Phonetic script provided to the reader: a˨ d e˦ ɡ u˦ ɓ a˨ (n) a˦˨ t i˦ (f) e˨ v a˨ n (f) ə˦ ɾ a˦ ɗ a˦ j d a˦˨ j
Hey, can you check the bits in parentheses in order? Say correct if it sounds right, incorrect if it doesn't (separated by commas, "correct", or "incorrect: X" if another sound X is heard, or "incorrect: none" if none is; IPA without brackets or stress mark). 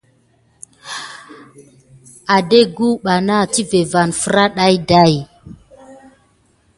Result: correct, incorrect: v, correct